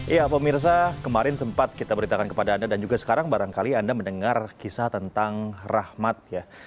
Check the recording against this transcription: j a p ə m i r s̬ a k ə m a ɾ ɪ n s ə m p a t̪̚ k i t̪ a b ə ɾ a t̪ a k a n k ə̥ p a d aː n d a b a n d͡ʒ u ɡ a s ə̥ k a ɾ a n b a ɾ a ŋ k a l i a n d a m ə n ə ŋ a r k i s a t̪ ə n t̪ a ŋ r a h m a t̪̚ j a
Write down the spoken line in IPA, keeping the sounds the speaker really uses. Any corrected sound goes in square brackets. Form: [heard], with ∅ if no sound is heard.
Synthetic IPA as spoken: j a p ə m i r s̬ a k ə m a ɾ ɪ n s ə m p a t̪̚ k i t̪ a b ə ɾ [i] t̪ a k a n k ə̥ p a d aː n d a [d] a n d͡ʒ u ɡ a s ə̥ k a ɾ a [ŋ] b a ɾ a ŋ k a l i a n d a m ə n ə ŋ a r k i s a t̪ ə n t̪ a ŋ r a h m a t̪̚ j a